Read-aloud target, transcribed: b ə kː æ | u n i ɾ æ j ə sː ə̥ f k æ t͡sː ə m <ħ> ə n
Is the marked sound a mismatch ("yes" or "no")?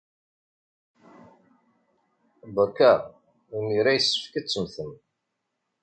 yes